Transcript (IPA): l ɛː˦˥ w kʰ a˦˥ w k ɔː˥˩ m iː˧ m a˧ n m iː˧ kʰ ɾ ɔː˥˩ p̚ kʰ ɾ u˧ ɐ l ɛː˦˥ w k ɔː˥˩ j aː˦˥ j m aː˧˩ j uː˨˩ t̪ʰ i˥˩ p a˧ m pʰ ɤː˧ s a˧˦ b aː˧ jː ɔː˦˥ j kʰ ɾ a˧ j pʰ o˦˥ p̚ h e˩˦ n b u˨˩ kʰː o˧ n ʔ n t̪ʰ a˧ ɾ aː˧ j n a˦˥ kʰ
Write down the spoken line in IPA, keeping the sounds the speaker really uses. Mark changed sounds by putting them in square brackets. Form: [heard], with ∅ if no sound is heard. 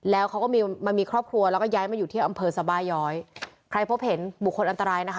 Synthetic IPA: l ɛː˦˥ w kʰ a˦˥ w k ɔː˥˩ m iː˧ m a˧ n m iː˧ kʰ ɾ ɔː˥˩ p̚ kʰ ɾ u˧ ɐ l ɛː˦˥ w k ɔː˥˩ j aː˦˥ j m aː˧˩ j uː˨˩ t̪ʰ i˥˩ [ʔ] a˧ m pʰ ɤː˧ s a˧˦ b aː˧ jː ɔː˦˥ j kʰ ɾ a˧ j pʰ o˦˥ p̚ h e˩˦ n b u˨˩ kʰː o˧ n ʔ n [t̪] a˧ ɾ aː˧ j n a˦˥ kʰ